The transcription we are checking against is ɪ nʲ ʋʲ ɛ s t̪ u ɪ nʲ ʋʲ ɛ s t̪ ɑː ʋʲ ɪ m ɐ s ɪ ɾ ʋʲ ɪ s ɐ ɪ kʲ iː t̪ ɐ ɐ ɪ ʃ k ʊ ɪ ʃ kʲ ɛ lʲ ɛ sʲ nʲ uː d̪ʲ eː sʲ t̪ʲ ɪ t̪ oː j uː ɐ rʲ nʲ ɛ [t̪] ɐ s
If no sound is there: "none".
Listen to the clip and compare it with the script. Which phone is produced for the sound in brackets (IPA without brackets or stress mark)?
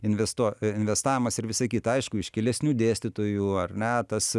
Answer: t̪